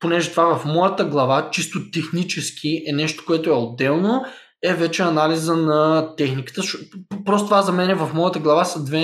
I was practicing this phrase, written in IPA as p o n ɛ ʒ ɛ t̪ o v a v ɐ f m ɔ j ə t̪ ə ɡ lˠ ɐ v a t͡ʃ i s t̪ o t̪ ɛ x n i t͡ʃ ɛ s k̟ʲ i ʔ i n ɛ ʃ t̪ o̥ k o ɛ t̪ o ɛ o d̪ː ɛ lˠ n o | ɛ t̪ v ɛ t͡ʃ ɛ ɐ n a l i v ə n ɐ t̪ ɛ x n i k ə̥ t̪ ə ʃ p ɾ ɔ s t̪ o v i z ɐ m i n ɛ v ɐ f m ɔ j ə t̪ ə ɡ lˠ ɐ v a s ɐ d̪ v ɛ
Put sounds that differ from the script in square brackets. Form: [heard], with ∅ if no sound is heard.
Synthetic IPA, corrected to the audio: p o n ɛ ʒ ɛ t̪ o v a v ɐ f m ɔ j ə t̪ ə ɡ lˠ ɐ v a t͡ʃ i s t̪ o t̪ ɛ x n i t͡ʃ ɛ s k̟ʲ i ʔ [ɛ] n ɛ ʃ t̪ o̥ k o ɛ t̪ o ɛ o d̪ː ɛ lˠ n o | ɛ [∅] v ɛ t͡ʃ ɛ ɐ n a l i [z] ə n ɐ t̪ ɛ x n i k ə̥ t̪ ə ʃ p ɾ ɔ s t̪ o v [a] z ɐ m [ɛ] n ɛ v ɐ f m ɔ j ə t̪ ə ɡ lˠ ɐ v a s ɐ d̪ v ɛ